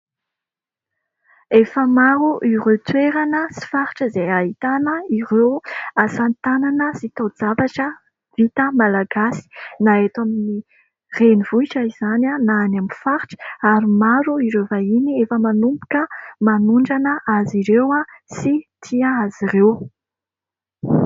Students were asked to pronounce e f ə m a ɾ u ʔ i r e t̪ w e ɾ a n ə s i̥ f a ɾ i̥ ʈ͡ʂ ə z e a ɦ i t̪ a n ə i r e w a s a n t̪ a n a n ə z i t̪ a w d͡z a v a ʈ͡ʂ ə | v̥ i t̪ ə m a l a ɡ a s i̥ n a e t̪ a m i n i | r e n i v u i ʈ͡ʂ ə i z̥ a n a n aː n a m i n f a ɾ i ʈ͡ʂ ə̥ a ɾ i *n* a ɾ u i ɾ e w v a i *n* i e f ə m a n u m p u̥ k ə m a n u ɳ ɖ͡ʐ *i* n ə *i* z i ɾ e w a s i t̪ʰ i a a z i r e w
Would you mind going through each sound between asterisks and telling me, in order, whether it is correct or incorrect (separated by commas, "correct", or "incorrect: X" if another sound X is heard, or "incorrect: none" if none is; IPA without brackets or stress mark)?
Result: incorrect: m, correct, incorrect: a, incorrect: a